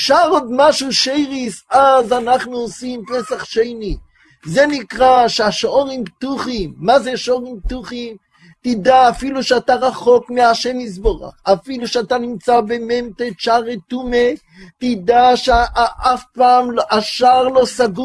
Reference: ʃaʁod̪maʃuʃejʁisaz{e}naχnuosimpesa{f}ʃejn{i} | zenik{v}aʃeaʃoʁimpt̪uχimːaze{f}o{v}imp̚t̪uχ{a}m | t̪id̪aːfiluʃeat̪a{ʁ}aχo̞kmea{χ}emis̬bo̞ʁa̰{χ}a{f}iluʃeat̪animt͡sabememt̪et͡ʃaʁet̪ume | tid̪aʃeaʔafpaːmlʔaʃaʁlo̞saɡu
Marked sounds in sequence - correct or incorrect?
incorrect: a, incorrect: χ, correct, incorrect: ʁ, incorrect: ʃ, incorrect: ʁ, incorrect: i, correct, incorrect: ʃ, correct, correct

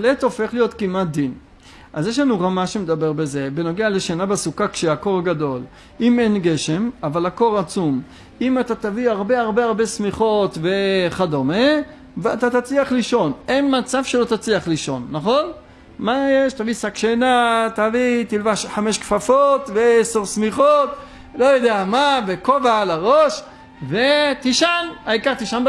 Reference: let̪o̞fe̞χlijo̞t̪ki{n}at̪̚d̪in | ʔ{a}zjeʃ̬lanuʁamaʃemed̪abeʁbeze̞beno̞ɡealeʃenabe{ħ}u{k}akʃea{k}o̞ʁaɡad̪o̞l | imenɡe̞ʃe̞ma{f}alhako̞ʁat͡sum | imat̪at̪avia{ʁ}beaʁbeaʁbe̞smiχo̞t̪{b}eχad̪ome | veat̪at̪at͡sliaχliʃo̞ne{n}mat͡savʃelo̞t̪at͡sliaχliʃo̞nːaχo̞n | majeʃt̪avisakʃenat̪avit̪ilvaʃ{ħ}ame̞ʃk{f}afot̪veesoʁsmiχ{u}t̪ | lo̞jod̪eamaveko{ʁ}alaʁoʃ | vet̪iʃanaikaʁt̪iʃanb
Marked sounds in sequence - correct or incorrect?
incorrect: m, correct, incorrect: s, correct, correct, incorrect: v, correct, incorrect: v, correct, correct, correct, incorrect: o, incorrect: v

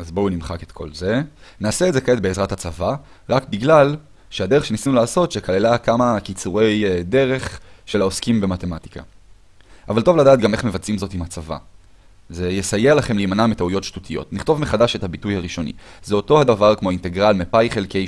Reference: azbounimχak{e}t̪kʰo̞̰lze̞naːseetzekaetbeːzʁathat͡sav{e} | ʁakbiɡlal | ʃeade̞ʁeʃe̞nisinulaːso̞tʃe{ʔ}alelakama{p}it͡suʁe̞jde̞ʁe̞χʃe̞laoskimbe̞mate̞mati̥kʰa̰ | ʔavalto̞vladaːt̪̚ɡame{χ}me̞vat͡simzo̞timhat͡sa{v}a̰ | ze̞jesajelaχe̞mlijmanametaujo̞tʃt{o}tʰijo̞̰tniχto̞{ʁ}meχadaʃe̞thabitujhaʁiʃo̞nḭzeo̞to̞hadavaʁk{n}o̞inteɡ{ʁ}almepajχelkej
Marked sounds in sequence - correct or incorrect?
correct, incorrect: a, incorrect: k, incorrect: k, correct, correct, incorrect: u, incorrect: v, incorrect: m, correct

